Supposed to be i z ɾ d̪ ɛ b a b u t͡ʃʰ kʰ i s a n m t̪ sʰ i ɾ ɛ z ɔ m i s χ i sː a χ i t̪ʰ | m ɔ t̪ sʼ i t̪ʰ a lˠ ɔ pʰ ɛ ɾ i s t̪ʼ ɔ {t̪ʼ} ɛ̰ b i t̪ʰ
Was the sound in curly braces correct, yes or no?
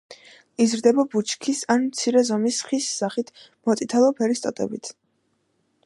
yes